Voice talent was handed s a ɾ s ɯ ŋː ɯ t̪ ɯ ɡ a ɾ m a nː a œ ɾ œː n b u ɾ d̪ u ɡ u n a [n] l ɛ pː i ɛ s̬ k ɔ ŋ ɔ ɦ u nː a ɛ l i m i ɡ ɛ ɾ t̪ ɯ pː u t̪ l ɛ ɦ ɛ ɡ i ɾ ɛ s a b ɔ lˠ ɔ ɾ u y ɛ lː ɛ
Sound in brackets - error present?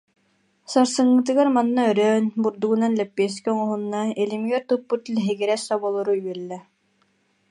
no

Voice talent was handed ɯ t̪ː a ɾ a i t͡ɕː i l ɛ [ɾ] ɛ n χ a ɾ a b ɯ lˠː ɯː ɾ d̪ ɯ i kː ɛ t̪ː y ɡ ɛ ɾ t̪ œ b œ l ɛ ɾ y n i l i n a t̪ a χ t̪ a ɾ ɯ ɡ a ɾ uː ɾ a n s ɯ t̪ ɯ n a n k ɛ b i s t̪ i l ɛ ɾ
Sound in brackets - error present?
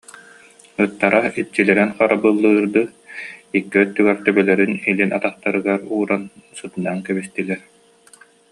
no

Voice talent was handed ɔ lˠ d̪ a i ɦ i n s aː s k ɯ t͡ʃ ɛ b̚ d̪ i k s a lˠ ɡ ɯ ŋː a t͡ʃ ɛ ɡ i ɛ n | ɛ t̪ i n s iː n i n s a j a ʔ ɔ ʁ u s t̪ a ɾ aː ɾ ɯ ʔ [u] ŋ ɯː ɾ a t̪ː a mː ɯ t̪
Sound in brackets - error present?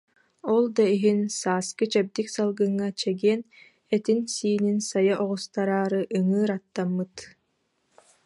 yes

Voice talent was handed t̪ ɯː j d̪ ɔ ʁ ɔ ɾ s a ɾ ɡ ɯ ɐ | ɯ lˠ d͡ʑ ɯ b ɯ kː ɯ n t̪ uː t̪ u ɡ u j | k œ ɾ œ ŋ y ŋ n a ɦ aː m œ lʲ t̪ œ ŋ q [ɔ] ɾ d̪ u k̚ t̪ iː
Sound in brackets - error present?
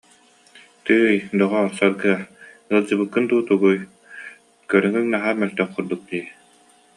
yes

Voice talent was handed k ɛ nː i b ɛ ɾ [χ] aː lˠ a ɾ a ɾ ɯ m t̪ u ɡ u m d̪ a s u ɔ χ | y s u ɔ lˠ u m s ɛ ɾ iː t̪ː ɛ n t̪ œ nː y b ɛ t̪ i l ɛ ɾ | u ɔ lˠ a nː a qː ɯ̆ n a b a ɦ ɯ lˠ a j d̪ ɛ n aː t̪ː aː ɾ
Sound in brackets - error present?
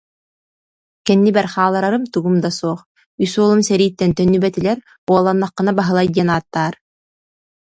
no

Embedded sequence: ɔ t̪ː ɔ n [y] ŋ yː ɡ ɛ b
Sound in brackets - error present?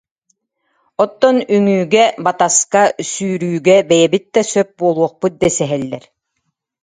no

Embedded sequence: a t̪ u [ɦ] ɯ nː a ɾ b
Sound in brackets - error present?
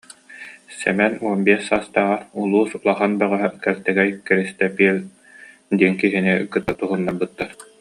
no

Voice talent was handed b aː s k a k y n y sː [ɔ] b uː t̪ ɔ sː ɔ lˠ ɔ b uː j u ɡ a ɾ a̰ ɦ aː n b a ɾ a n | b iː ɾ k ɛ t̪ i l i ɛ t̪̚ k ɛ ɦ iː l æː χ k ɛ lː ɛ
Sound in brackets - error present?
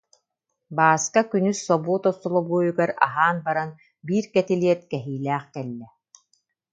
no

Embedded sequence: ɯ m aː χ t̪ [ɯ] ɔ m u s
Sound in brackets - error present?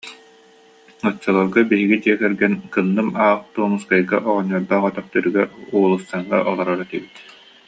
yes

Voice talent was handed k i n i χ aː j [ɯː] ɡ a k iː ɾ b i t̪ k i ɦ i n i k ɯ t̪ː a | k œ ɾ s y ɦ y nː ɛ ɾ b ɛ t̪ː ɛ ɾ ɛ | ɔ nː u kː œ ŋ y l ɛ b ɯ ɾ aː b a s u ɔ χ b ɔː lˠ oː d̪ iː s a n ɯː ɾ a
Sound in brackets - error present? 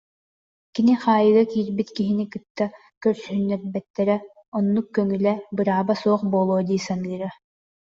yes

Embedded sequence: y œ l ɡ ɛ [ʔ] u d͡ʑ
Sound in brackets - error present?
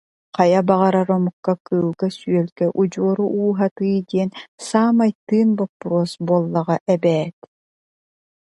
no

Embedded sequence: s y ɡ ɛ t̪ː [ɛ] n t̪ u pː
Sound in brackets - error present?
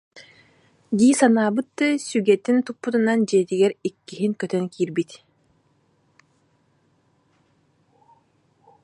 yes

